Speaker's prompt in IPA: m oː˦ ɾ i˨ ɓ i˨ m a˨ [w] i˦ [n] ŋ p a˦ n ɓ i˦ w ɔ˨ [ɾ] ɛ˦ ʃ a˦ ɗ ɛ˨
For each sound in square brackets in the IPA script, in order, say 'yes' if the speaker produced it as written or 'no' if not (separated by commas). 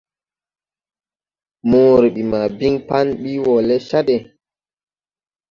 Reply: no, no, no